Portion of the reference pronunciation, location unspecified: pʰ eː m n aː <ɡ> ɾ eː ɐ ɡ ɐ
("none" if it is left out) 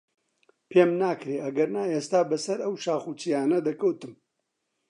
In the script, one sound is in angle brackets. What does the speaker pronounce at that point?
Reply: k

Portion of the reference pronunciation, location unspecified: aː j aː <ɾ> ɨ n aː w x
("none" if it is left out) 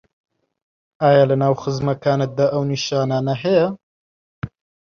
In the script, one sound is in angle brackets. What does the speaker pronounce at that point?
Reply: l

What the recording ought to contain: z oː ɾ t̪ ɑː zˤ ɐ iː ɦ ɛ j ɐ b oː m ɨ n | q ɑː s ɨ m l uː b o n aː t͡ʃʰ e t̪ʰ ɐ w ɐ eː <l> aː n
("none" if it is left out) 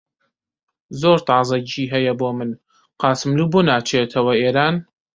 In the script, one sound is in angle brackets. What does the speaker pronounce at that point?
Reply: ɾ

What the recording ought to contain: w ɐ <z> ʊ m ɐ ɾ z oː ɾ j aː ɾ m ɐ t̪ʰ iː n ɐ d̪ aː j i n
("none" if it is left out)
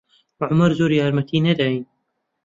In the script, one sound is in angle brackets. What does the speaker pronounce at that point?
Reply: ʕ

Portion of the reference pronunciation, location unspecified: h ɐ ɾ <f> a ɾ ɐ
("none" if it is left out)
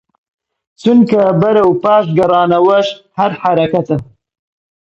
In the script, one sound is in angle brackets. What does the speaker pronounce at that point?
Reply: ħ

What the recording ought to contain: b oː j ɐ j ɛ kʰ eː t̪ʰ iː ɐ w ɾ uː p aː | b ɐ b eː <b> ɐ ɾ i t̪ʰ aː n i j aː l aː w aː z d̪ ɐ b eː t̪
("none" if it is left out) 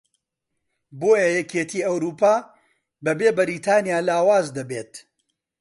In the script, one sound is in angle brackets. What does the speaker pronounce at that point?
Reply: b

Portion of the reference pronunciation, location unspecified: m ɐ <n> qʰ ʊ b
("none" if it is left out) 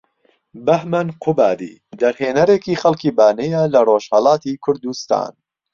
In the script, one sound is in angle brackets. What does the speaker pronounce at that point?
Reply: n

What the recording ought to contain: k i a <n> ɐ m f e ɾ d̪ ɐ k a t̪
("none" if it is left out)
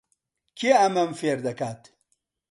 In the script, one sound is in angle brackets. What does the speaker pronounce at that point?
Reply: m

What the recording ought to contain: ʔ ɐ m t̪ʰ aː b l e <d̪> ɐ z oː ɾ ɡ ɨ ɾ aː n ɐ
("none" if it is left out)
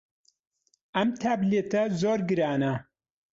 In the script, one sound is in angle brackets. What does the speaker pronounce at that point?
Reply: t̪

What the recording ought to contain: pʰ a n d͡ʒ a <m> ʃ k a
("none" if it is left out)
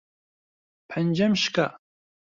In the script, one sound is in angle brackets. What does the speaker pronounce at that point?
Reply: m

